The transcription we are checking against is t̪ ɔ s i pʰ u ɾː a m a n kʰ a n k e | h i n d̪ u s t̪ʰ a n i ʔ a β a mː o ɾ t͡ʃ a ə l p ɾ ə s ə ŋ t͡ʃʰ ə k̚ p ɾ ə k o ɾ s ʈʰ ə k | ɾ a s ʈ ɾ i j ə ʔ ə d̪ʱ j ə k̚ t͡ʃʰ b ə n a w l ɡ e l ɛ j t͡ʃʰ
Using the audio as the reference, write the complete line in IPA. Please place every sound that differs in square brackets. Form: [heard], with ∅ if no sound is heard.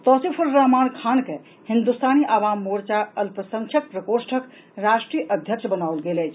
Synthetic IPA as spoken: t̪ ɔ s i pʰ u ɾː a m a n kʰ a n k e | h i n d̪ u s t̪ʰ a n i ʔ a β a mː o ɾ t͡ʃ a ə l p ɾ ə s ə ŋ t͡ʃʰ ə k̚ p ɾ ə k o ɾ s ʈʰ ə k | ɾ a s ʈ ɾ i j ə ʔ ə d̪ʱ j ə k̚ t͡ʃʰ b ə n a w l ɡ e l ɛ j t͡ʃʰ